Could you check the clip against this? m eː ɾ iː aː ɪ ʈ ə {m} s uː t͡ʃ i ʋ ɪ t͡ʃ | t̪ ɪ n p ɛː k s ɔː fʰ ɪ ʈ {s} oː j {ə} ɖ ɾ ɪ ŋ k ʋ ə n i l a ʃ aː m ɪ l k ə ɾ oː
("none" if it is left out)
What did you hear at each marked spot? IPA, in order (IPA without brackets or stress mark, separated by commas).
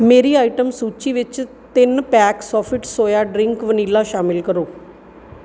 m, s, a